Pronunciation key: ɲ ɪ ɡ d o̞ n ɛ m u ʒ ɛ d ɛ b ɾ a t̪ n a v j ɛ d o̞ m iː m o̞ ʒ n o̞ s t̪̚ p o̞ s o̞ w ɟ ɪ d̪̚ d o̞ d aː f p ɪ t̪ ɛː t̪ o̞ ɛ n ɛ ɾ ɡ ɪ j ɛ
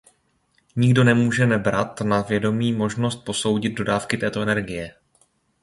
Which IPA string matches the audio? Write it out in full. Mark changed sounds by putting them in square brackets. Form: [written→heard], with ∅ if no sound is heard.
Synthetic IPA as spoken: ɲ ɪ ɡ d o̞ n ɛ m [u→uː] ʒ ɛ [d→n] ɛ b ɾ a t̪ n a v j ɛ d o̞ m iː m o̞ ʒ n o̞ s t̪̚ p o̞ s o̞ w ɟ ɪ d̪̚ d o̞ d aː f [p→k] ɪ t̪ ɛː t̪ o̞ ɛ n ɛ ɾ ɡ ɪ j ɛ